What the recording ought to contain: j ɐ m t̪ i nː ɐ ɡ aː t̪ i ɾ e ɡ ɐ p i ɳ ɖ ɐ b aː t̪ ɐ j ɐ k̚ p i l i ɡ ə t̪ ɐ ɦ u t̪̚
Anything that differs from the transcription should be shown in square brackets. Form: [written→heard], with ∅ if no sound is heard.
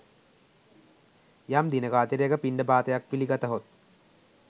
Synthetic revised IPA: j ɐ m [t̪→d̪] i [nː→n] ɐ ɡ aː t̪ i ɾ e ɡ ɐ p i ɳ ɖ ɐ b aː t̪ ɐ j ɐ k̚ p i l i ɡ [ə→ɐ] t̪ ɐ ɦ [u→o] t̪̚